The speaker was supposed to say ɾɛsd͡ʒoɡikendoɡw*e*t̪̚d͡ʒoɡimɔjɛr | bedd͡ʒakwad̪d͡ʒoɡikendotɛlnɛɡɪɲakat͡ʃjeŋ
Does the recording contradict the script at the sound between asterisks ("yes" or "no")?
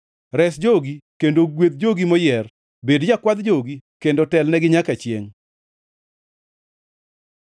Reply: no